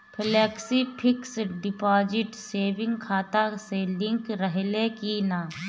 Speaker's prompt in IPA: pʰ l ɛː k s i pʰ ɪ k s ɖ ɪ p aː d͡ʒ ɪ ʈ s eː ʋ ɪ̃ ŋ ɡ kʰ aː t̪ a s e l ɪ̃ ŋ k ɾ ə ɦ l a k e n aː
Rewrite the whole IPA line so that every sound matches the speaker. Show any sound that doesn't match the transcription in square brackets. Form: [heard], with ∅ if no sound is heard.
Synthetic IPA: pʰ l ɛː k s i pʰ ɪ k s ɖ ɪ p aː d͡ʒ ɪ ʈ s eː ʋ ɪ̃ ŋ ɡ kʰ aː t̪ a s e l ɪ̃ ŋ k ɾ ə ɦ l [e] k [i] n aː